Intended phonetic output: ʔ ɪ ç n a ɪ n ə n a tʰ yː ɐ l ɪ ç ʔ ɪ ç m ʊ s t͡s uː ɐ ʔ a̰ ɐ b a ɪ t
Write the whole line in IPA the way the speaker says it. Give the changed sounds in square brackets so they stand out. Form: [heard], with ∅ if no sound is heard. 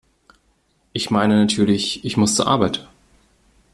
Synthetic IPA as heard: ʔ ɪ ç [m] a ɪ n ə n a tʰ yː ɐ l ɪ ç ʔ ɪ ç m ʊ s t͡s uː ɐ ʔ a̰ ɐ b a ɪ t